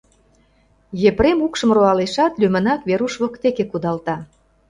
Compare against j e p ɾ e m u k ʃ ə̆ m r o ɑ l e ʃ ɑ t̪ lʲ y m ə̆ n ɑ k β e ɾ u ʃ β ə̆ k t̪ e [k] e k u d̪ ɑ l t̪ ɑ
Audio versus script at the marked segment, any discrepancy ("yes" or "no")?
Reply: no